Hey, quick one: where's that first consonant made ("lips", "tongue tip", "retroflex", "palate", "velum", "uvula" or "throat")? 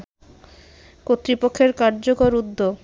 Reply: velum